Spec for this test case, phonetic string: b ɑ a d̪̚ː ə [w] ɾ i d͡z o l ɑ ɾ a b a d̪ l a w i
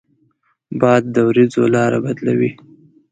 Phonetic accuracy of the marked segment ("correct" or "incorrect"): correct